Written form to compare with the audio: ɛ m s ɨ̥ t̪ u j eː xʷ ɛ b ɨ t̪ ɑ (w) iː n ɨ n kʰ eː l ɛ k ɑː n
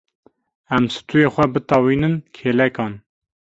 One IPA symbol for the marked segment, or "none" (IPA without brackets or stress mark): w